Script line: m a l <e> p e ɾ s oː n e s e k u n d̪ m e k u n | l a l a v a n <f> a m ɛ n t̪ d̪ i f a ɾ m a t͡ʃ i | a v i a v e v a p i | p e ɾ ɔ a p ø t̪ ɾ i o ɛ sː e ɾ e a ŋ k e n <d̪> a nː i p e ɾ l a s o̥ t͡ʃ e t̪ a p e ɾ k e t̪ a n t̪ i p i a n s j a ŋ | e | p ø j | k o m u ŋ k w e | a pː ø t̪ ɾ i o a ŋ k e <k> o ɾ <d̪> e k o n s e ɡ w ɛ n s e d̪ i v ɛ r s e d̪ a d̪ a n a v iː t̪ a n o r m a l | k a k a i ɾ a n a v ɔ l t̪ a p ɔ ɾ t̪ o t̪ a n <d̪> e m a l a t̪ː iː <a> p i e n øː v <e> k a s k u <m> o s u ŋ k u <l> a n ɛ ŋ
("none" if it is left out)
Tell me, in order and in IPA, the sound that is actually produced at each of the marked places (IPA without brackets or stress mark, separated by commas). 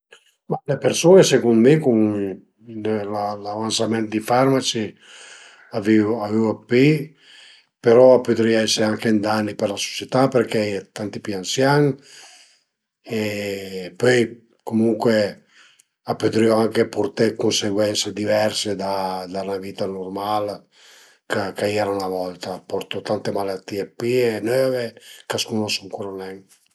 e, s, d̪, p, t̪, t̪, e, e, n, ɾ